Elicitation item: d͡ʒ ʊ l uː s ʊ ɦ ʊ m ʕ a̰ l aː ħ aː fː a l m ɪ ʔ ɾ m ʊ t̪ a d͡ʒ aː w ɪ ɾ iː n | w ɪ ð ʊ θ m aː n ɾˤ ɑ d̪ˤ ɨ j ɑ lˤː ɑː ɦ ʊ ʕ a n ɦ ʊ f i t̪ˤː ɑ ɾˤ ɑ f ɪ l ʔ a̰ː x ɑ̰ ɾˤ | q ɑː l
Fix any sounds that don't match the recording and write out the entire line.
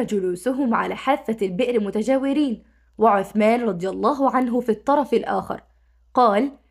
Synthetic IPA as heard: d͡ʒ ʊ l uː s ʊ ɦ ʊ m ʕ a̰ l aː ħ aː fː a l b ɪ ʔ ɾ m ʊ t̪ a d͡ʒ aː w ɪ ɾ iː n | w ɪ ʕ ʊ θ m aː n ɾˤ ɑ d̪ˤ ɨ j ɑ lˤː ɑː ɦ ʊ ʕ a n ɦ ʊ f i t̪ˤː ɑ ɾˤ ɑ f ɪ l ʔ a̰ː x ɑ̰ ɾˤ | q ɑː l